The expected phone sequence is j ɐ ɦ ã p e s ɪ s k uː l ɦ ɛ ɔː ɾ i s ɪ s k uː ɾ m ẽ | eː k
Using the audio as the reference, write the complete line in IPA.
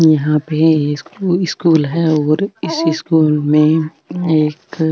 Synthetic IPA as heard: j ɐ ɦ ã p e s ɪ s k uː l ɦ ɛ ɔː ɾ ɪ s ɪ s k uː l m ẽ | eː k